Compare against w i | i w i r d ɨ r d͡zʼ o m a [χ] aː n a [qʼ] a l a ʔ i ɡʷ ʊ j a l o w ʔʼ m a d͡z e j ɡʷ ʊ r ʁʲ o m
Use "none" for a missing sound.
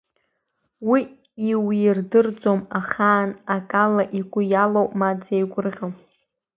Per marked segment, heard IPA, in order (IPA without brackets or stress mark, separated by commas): χ, kʼ